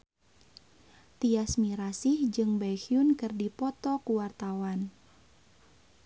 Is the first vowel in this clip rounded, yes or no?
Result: no